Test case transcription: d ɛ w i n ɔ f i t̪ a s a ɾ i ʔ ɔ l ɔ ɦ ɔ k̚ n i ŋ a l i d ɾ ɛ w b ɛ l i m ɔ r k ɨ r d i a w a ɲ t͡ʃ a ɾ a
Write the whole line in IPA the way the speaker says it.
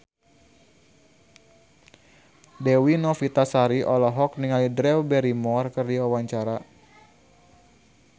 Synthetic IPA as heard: d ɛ w i n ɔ f i t̪ a s a ɾ i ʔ ɔ l ɔ ɦ ɔ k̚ n i ŋ a l i d ɾ ɛ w b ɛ ɾ i m ɔ r k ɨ r d i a w a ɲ t͡ʃ a ɾ a